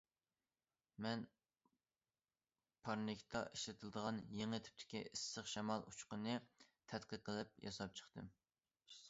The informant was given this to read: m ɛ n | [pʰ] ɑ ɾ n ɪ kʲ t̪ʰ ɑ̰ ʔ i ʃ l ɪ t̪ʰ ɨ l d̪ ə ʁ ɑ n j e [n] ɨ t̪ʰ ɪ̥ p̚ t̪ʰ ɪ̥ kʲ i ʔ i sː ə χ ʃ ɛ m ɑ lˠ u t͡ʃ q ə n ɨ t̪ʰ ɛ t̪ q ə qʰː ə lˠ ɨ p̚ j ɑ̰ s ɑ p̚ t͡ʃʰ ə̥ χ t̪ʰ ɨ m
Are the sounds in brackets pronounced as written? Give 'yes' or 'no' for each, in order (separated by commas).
yes, no